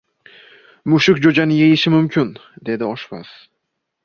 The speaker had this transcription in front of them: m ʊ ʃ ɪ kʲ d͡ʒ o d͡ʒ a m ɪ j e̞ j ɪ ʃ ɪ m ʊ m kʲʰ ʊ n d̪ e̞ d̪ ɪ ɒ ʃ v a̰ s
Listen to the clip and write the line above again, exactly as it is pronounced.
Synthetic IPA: m ʊ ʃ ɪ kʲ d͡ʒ o d͡ʒ a n ɪ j e̞ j ɪ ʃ ɪ m ʊ m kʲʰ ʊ n d̪ e̞ d̪ ɪ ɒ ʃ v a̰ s